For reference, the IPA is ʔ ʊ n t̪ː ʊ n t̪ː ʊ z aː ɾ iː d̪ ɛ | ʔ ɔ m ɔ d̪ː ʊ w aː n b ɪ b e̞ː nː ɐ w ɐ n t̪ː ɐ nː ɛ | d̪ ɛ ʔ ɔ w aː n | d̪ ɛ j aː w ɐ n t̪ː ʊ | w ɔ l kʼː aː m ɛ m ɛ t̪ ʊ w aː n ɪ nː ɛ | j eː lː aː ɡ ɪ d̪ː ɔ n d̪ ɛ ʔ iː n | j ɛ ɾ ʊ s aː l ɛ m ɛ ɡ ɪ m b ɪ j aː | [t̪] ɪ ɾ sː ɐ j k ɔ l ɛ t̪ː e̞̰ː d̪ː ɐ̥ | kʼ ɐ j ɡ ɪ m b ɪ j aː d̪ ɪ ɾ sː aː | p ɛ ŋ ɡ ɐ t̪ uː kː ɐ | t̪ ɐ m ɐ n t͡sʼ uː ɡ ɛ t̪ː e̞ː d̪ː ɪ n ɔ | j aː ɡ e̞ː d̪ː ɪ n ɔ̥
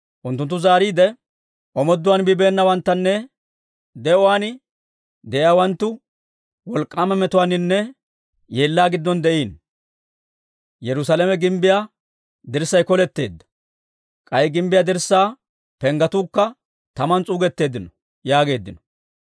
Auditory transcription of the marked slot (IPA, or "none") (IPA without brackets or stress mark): d̪